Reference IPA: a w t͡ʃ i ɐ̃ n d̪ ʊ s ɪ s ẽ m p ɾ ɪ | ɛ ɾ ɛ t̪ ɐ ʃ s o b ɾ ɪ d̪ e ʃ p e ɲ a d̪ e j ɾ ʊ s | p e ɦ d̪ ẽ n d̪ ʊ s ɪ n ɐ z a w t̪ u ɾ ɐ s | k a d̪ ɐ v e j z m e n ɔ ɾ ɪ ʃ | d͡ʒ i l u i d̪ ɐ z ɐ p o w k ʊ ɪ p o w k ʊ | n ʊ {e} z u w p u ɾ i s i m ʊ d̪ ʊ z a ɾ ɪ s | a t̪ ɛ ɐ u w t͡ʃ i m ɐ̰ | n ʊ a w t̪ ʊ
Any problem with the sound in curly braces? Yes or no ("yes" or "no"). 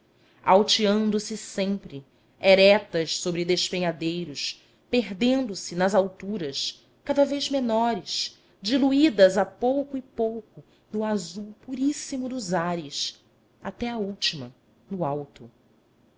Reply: yes